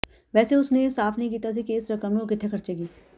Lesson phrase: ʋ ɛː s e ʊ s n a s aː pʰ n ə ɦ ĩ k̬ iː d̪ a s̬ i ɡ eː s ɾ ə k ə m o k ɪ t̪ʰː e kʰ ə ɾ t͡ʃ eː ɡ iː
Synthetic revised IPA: ʋ ɛː s e ʊ s n e s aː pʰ n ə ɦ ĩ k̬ iː t̪ a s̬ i k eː s ɾ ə k ə m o k ɪ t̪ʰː e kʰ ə ɾ t͡ʃ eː ɡ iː